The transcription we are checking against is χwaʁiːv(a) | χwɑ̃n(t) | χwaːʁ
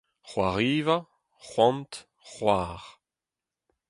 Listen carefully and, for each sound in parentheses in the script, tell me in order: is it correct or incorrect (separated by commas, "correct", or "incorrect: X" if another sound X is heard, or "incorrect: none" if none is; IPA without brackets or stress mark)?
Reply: correct, correct